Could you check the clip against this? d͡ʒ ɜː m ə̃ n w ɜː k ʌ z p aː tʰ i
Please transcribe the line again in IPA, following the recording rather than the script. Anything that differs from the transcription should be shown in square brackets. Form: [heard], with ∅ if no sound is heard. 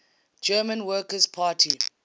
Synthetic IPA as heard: d͡ʒ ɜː m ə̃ n w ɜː k [ə] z [pʰ] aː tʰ i